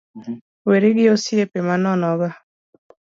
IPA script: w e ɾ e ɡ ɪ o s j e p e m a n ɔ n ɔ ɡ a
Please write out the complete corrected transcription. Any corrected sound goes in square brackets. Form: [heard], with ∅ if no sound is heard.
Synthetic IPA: w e ɾ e ɡ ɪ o s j e p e m a n ɔ n ɔ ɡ a